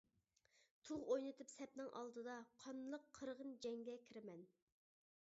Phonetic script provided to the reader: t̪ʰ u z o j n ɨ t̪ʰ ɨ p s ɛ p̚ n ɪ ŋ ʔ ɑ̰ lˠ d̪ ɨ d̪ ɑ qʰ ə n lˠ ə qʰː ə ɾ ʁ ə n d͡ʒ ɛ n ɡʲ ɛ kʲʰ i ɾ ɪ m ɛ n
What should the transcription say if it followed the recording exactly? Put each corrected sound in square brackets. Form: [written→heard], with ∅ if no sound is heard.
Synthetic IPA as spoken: t̪ʰ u [z→ʁ] o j n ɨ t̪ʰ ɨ p s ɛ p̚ n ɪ ŋ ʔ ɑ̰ lˠ d̪ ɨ d̪ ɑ qʰ [ə→ɑ] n lˠ ə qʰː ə ɾ ʁ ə n d͡ʒ ɛ [n→ŋ] ɡʲ ɛ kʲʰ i ɾ ɪ m ɛ n